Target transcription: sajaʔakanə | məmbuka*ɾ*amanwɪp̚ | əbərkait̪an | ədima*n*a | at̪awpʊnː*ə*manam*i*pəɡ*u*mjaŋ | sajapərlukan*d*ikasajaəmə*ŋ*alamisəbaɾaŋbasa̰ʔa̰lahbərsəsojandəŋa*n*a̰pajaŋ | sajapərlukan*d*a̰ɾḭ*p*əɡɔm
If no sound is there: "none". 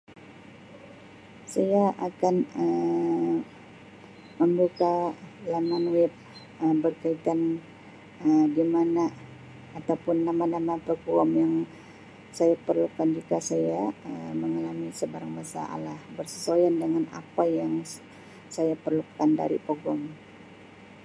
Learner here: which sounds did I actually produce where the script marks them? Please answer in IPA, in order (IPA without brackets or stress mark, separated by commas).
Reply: l, n, a, a, ɔ, d͡ʒ, ŋ, n, d, p